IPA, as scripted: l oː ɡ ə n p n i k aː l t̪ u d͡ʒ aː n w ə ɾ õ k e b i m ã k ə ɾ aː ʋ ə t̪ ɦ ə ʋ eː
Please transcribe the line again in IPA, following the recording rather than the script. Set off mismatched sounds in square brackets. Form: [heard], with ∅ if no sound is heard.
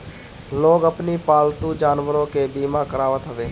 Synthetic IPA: l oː ɡ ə [∅] p n i [p] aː l t̪ u d͡ʒ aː n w ə ɾ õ k e b [iː] m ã k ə ɾ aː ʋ ə t̪ ɦ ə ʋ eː